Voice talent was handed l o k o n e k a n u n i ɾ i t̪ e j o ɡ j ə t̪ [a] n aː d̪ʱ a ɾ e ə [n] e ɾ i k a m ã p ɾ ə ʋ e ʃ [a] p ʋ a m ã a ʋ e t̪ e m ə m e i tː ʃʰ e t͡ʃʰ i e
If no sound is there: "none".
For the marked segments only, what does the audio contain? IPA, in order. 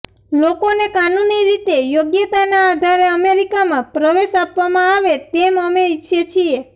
a, m, a

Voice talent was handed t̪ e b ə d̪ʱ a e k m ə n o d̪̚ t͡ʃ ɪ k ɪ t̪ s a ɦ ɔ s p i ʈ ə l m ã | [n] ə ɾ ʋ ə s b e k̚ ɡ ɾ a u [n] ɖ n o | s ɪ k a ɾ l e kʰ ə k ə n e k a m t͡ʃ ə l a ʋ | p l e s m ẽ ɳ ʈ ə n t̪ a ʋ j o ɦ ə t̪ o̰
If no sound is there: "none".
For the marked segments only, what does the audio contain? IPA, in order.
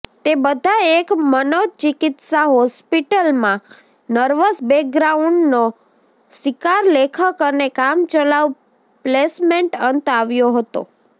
n, ɳ

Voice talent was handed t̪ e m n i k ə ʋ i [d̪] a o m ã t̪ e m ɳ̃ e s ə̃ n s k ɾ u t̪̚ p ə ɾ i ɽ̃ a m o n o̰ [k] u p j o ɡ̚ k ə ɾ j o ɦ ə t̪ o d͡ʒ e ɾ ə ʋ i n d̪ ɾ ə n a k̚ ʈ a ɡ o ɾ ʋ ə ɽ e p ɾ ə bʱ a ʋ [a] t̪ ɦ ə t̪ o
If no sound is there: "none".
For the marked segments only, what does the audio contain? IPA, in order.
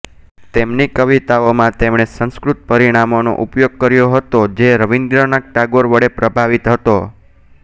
t̪, ʔ, i

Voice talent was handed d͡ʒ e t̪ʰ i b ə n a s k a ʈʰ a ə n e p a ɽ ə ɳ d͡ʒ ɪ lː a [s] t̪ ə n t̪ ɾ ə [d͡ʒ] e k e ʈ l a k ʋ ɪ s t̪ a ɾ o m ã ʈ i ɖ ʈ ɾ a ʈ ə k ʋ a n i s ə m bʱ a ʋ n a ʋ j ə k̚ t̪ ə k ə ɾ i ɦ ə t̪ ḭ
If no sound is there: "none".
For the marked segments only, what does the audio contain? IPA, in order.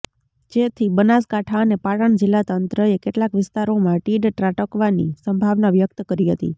none, none

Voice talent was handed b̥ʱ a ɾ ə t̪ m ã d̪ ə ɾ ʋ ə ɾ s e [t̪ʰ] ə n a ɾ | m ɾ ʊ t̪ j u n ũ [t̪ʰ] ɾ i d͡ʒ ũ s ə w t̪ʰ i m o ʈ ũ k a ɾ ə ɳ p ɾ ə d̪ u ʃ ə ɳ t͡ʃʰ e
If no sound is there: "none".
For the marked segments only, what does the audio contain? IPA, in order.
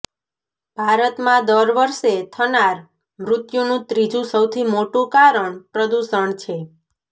t̪ʰ, t̪

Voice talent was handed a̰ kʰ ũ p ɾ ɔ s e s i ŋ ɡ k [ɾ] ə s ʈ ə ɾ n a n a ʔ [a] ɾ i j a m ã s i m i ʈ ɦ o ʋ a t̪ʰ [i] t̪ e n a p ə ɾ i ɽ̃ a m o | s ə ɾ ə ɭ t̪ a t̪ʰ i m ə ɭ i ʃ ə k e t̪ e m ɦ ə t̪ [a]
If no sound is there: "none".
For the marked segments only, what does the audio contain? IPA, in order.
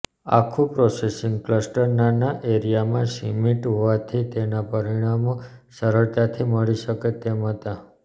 l, e, i, a

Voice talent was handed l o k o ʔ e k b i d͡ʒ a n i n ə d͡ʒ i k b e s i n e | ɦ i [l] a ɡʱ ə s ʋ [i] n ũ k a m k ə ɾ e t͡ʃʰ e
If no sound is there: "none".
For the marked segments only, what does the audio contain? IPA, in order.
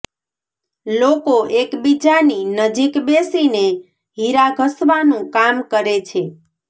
ɾ, a

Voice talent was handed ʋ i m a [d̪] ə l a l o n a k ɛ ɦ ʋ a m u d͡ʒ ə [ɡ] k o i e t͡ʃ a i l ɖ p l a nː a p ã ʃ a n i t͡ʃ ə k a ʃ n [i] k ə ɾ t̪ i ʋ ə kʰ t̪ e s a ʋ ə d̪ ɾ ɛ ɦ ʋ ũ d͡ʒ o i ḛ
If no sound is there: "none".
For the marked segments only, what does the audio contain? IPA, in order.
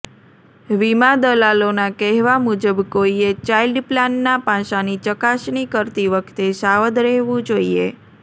d̪, b, i

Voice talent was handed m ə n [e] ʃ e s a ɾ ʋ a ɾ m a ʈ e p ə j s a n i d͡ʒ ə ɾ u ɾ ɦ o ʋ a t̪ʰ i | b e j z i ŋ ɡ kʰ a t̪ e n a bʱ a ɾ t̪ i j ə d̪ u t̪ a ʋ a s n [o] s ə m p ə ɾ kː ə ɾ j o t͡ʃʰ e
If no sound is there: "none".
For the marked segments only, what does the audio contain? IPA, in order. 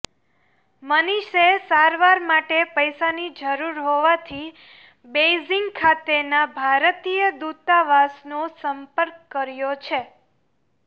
i, o

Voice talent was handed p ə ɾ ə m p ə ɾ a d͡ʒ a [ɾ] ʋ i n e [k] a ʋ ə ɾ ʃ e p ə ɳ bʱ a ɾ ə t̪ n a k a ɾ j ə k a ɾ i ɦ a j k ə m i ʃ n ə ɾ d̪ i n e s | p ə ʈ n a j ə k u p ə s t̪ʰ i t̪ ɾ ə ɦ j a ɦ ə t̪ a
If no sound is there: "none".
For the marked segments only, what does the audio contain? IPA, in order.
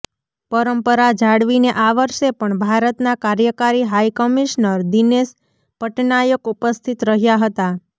ɽ, ʔ

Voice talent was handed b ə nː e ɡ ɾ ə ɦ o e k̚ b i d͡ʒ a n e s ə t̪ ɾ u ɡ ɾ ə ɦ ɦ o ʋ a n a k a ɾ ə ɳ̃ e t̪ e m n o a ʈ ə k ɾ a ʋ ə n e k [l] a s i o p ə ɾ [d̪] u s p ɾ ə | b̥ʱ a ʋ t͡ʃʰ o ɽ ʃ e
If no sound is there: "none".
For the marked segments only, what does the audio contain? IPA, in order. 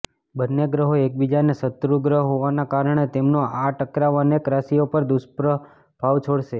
ɾ, d̪

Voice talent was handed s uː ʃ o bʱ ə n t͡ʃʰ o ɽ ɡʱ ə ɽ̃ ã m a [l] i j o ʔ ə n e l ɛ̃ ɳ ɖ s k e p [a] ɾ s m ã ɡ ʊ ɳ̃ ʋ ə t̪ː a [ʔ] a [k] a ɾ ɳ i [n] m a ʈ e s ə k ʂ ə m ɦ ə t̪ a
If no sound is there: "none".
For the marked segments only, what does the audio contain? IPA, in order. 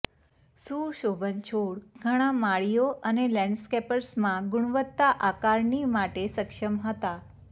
ɭ, ə, ʔ, k, none

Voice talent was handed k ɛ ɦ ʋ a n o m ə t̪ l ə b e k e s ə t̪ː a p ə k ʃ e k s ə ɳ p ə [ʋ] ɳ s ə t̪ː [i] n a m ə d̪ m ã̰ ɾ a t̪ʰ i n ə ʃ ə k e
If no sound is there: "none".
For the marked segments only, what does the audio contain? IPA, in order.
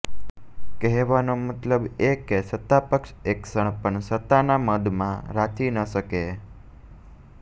none, a

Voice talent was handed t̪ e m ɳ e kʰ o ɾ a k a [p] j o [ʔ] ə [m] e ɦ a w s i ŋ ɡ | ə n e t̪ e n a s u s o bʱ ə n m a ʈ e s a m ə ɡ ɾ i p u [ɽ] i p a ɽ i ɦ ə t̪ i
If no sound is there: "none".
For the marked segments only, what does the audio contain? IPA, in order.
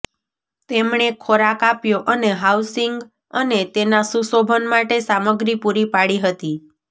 p, ʔ, n, ɾ

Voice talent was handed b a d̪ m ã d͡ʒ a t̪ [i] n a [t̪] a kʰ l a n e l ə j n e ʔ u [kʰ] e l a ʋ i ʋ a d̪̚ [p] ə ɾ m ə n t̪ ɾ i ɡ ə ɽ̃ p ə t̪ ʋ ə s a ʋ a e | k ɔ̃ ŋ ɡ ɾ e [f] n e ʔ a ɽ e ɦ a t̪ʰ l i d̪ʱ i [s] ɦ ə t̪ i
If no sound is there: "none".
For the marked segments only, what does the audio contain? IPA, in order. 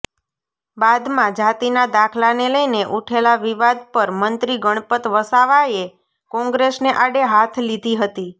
i, d̪, ʈʰ, p, s, none

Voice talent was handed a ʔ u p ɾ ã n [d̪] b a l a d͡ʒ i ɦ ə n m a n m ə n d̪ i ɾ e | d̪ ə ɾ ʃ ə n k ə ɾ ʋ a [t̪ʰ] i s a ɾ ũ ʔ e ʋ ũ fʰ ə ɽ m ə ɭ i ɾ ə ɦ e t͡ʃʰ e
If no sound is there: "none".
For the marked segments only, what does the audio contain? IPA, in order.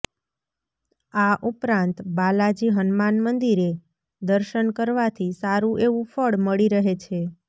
t̪, t̪ʰ

